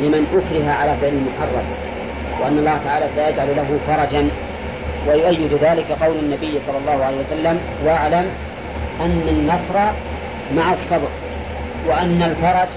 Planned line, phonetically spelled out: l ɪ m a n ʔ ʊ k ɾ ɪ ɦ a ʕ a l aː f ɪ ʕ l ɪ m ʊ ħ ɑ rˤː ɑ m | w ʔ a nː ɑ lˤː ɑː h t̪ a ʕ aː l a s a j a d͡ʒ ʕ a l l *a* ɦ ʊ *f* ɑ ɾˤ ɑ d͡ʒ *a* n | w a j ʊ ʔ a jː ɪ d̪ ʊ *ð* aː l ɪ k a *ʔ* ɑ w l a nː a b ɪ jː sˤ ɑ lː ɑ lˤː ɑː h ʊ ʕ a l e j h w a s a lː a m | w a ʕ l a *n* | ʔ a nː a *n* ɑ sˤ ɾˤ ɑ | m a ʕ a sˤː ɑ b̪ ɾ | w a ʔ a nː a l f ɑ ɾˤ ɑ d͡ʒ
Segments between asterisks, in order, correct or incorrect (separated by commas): correct, correct, correct, correct, incorrect, incorrect, incorrect